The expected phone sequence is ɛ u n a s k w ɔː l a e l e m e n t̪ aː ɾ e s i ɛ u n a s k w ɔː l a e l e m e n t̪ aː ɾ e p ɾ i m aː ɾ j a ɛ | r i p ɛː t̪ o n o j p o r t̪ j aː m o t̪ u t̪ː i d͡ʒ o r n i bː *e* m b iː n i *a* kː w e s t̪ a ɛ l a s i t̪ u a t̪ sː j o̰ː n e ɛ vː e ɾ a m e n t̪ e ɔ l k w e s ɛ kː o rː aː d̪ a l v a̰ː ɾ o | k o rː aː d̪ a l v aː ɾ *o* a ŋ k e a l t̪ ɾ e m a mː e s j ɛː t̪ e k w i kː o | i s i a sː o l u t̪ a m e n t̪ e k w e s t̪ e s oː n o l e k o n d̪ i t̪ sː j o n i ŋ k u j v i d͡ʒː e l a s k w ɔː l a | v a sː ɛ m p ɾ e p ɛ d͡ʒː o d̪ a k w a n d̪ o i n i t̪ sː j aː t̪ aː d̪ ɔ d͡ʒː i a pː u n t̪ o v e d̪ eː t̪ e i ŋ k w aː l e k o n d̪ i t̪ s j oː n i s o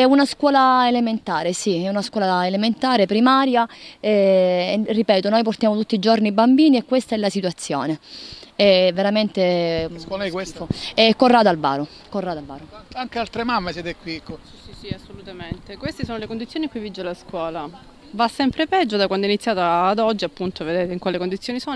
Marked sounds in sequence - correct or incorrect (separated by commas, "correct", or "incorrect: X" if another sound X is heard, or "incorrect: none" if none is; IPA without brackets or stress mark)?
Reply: incorrect: a, incorrect: ɛ, correct